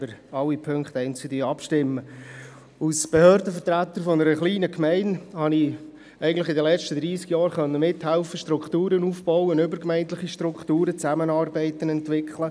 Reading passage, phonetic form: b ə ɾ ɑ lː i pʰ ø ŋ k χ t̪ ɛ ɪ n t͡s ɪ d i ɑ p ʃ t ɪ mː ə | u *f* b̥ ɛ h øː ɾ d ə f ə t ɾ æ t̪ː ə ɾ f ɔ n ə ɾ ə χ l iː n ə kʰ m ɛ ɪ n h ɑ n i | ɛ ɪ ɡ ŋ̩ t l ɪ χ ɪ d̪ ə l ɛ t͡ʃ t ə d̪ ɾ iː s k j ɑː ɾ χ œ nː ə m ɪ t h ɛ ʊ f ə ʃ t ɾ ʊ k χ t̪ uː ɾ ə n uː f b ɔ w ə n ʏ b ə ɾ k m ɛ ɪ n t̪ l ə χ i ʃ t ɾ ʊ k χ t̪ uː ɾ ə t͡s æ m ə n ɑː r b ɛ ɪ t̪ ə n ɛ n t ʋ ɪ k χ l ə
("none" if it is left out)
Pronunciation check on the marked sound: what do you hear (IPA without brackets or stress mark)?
s